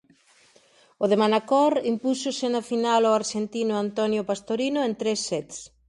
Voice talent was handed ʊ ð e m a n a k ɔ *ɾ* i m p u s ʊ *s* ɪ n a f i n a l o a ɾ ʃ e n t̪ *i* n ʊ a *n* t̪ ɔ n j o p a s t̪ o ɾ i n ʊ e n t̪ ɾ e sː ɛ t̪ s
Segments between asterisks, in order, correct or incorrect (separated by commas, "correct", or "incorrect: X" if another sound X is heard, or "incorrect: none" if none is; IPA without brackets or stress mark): correct, correct, correct, correct